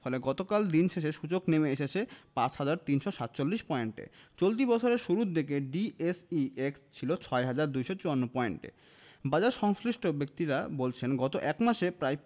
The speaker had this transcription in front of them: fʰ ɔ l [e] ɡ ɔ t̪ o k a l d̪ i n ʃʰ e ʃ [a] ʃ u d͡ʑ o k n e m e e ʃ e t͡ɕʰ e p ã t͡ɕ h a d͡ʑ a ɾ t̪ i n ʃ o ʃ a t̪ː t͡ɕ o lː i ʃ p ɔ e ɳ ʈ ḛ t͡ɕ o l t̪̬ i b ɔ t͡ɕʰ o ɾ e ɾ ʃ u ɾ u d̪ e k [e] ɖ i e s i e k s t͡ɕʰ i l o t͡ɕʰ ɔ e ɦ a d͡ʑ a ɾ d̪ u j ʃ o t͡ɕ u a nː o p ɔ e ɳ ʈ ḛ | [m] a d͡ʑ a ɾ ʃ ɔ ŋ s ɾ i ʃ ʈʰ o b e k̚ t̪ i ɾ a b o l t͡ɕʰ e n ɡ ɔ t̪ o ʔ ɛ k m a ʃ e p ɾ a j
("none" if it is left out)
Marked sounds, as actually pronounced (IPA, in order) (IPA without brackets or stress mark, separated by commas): e, e, e, b